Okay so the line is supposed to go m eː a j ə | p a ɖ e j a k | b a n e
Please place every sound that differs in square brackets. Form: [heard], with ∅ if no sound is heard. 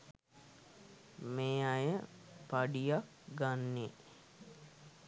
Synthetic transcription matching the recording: m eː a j ə | p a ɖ [i] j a k | [ɡ] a [nː] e